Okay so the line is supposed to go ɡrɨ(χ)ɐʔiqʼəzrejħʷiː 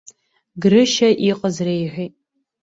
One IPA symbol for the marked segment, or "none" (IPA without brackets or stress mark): ʃ